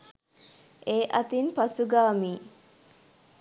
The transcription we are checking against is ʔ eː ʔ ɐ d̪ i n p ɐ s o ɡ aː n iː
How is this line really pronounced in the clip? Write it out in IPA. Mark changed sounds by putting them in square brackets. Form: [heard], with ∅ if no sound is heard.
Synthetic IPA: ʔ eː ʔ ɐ [t̪] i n p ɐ s [u] ɡ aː [m] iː